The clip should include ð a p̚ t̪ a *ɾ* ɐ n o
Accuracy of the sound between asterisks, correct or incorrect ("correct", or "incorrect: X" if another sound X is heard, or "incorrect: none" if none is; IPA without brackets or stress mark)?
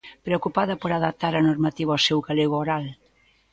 correct